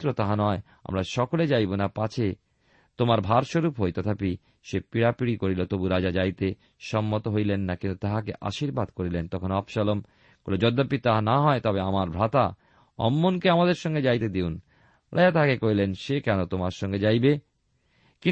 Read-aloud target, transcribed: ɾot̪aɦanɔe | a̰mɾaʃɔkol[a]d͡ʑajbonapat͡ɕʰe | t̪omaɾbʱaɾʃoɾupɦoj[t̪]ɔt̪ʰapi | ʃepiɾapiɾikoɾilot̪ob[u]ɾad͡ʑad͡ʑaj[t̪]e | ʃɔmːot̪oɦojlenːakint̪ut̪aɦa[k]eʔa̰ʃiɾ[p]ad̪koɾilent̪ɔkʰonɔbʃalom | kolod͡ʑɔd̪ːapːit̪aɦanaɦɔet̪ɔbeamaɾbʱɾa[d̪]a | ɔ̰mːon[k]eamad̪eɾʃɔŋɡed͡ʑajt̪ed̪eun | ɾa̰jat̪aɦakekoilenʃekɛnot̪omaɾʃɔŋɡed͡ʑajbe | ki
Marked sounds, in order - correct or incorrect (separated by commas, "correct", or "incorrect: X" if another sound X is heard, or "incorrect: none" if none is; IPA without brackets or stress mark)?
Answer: incorrect: e, correct, correct, correct, correct, incorrect: b, incorrect: t̪, correct